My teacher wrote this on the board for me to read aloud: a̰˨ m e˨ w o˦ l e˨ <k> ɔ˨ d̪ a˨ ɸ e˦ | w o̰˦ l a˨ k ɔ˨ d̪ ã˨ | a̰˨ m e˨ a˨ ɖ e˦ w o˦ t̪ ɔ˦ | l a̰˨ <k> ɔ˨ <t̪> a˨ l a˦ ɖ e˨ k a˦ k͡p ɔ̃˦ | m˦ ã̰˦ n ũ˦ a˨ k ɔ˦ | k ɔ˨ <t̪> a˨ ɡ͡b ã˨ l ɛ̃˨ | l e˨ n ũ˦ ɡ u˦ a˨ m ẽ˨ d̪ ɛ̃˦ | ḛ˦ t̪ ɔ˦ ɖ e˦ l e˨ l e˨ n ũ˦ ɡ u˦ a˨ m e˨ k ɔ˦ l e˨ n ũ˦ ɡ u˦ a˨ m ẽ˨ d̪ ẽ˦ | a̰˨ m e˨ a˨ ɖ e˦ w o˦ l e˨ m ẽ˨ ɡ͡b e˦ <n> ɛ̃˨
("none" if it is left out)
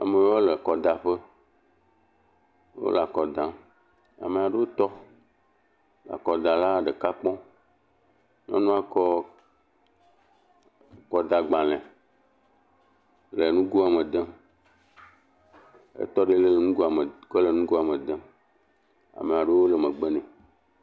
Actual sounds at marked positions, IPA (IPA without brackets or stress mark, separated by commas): k, k, d̪, d̪, n